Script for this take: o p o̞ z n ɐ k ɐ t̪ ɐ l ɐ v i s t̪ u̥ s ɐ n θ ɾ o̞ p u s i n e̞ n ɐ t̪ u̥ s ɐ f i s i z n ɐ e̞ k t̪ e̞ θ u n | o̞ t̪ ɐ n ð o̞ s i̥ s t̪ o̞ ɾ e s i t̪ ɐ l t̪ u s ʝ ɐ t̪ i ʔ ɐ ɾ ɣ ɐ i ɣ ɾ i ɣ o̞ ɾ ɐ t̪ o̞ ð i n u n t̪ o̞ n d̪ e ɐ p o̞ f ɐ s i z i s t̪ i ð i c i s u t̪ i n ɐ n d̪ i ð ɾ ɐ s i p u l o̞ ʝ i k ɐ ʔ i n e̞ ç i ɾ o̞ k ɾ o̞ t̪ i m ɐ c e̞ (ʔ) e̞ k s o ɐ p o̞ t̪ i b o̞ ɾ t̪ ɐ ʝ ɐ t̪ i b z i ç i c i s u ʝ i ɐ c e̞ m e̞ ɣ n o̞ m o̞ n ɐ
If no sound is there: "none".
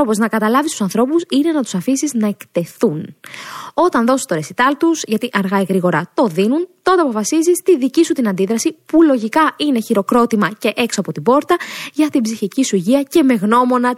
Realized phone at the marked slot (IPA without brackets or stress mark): ʔ